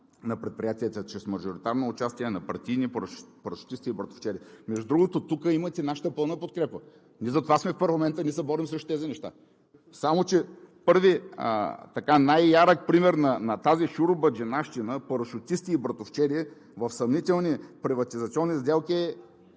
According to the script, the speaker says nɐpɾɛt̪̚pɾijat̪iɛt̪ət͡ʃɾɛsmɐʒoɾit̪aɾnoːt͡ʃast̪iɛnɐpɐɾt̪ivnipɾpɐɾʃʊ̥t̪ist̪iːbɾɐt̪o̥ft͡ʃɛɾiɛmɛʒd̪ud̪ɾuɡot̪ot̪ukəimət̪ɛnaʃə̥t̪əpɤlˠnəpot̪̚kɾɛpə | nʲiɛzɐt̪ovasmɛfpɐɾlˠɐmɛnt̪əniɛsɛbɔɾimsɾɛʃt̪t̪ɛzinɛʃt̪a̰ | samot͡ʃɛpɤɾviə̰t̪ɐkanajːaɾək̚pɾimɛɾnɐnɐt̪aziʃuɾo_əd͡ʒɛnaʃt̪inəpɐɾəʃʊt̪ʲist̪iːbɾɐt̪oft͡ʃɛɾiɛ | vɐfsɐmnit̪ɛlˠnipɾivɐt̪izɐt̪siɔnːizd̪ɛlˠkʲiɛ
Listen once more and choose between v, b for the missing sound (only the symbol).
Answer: b